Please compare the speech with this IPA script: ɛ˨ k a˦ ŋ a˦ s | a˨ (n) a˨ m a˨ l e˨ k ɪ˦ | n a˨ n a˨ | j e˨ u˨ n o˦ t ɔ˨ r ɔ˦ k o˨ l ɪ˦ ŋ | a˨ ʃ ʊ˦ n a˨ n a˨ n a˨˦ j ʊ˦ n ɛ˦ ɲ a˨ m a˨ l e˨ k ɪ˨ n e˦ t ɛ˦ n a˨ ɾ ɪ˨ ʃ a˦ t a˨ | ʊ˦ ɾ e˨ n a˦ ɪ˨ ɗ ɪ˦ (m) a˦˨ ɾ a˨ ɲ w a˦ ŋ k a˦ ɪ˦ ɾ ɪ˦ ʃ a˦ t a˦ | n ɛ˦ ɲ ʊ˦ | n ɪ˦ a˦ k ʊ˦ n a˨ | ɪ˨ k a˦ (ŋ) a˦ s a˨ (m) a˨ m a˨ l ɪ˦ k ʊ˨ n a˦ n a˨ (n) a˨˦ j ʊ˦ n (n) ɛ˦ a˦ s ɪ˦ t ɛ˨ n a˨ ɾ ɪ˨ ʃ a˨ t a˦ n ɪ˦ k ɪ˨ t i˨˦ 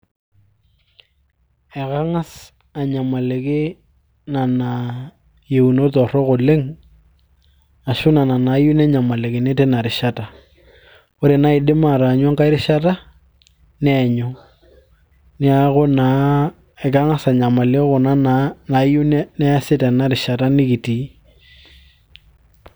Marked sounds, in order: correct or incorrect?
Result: incorrect: ɲ, correct, correct, incorrect: ɲ, correct, correct

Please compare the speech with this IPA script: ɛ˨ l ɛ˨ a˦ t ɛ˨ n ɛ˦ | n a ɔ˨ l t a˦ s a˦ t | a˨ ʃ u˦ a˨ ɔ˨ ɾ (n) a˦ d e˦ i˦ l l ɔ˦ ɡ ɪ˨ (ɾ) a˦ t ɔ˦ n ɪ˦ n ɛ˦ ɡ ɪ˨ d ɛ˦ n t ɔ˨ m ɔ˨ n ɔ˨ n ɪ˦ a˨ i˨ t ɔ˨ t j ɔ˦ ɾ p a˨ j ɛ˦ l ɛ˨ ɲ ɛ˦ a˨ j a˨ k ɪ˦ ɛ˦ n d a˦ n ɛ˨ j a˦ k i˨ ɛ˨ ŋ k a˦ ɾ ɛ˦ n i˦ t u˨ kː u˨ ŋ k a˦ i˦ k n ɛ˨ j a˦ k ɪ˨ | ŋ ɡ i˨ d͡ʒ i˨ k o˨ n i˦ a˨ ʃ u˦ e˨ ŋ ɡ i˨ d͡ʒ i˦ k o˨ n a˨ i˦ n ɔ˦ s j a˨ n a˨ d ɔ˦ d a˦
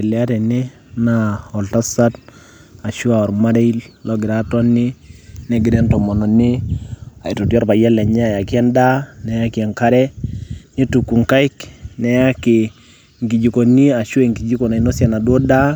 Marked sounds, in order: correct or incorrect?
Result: incorrect: m, correct

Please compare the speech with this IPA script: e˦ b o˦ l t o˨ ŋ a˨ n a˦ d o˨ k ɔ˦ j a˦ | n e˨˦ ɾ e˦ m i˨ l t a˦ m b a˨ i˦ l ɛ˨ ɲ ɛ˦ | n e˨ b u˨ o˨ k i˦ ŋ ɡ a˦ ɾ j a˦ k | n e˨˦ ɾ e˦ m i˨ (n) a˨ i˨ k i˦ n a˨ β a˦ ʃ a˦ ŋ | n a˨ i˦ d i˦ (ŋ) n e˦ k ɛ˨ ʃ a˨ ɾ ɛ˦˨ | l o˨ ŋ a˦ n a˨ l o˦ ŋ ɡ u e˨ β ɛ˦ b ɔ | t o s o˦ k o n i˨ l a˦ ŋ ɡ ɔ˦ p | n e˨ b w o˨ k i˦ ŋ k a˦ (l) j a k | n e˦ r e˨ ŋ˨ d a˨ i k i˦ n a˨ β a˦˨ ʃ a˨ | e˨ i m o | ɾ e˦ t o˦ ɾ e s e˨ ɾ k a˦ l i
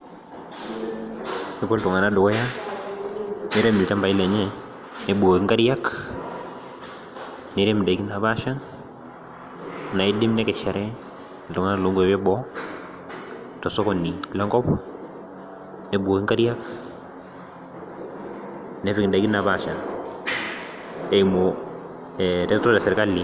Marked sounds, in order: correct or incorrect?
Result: incorrect: d, incorrect: m, incorrect: ɾ

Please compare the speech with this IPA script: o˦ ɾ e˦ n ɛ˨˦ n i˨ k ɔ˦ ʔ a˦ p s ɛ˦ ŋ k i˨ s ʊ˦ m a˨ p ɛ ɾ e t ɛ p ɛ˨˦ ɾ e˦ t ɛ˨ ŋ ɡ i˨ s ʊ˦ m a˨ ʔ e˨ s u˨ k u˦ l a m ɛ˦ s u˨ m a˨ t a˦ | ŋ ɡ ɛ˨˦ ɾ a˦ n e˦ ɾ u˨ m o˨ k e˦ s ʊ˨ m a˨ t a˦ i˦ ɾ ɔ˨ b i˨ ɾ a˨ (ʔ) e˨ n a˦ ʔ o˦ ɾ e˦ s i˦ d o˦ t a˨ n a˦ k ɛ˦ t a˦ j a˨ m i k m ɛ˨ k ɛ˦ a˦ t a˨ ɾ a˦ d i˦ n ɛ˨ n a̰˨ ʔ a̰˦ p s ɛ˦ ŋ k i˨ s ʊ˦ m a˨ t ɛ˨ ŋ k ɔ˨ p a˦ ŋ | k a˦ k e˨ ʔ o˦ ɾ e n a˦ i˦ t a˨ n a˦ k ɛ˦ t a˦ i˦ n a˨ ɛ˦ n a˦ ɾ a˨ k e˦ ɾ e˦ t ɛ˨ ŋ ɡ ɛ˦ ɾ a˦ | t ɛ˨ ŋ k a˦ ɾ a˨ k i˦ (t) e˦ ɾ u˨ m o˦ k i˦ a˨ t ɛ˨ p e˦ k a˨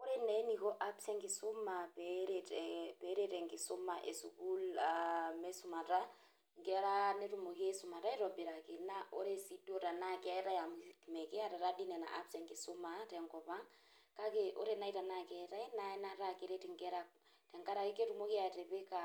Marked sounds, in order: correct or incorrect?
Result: incorrect: k, incorrect: k

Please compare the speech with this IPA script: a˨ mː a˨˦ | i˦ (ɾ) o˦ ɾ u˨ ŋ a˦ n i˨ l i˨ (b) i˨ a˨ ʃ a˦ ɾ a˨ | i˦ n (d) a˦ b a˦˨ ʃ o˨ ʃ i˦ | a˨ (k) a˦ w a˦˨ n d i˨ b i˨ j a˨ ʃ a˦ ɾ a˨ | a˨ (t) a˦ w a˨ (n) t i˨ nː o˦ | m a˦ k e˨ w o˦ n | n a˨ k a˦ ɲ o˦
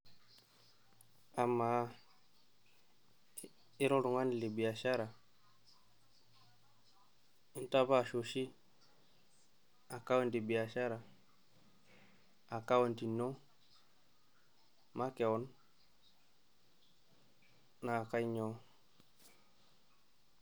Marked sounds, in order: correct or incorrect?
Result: correct, correct, incorrect: t, correct, incorrect: k, correct

